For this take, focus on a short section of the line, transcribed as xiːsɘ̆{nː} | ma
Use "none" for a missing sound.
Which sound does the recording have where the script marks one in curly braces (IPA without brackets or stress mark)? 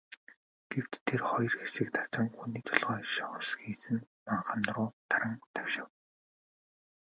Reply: n